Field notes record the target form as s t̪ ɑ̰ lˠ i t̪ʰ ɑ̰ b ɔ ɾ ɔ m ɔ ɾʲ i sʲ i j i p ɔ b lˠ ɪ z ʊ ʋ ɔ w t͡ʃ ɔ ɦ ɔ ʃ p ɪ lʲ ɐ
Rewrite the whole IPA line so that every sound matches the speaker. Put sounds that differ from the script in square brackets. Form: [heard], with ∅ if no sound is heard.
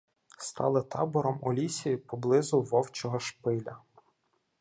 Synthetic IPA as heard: s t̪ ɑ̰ lˠ [ɪ] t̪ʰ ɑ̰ b ɔ ɾ ɔ m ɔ [lʲ] i sʲ i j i p ɔ b lˠ ɪ z ʊ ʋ ɔ w t͡ʃ ɔ ɦ ɔ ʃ p ɪ lʲ ɐ